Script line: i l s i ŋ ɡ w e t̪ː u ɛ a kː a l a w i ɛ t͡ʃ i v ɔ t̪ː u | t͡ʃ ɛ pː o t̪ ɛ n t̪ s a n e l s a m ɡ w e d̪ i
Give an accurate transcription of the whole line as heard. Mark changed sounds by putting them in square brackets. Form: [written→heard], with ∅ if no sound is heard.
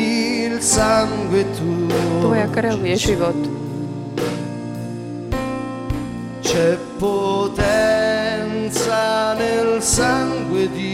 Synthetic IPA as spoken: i l s [i→a] ŋ ɡ w e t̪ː u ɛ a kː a [l→ɾ] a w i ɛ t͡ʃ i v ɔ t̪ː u | t͡ʃ ɛ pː o t̪ ɛ n t̪ s a n e l s a [m→ŋ] ɡ w e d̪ i